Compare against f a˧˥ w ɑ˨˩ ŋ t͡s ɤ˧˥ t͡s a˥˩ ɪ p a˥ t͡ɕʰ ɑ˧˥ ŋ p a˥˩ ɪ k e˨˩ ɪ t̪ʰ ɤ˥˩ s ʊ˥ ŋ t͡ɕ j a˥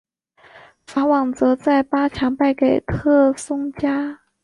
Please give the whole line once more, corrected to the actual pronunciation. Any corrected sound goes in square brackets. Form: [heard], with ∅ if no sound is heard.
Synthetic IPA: f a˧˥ w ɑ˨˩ ŋ t͡s ɤ˧˥ t͡s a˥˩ ɪ p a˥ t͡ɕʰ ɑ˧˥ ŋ p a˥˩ ɪ k e˨˩ ɪ t̪ʰ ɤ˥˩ s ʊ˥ ŋ t͡ɕ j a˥